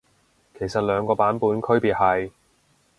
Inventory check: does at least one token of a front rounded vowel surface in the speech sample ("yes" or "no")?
yes